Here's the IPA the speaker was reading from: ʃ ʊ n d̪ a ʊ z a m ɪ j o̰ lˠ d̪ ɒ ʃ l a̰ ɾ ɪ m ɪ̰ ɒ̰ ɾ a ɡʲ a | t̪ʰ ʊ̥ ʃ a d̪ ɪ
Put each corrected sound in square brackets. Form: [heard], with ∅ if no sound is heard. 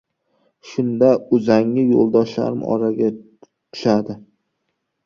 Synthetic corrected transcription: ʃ ʊ n d̪ a ʊ z a [ŋ] ɪ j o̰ lˠ d̪ ɒ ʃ l a̰ ɾ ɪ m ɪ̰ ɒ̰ ɾ a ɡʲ a | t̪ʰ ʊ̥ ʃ a d̪ ɪ